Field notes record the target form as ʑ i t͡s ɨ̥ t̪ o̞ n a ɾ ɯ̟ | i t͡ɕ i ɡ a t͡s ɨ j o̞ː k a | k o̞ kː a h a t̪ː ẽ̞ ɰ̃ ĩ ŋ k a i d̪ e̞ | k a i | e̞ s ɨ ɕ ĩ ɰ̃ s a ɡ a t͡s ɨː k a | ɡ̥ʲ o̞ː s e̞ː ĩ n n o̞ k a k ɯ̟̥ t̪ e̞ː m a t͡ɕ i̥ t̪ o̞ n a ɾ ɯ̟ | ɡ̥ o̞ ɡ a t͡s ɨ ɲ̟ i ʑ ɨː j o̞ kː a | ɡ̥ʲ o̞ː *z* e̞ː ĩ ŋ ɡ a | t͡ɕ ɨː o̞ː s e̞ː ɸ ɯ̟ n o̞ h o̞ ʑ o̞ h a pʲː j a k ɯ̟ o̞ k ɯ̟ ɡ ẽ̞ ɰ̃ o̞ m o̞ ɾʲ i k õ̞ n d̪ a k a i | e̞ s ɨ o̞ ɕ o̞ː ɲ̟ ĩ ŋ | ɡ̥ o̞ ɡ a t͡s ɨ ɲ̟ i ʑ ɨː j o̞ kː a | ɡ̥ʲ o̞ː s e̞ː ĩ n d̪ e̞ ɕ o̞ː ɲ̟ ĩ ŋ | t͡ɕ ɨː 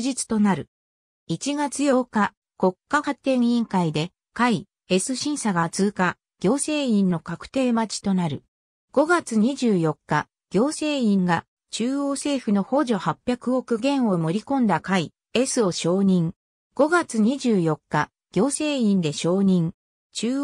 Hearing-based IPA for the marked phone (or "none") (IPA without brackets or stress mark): s